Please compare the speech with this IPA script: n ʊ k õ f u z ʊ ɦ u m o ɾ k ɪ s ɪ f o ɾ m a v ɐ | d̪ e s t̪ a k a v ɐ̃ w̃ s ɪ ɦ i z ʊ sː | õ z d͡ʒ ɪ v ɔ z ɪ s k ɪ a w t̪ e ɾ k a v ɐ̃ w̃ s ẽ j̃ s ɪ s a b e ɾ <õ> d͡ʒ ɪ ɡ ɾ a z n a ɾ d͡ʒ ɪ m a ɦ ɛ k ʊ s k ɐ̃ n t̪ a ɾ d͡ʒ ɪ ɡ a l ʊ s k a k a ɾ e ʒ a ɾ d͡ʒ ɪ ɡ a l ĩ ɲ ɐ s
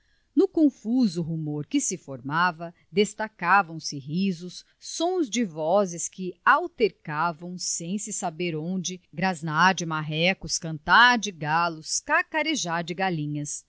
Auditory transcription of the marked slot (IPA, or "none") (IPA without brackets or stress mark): õ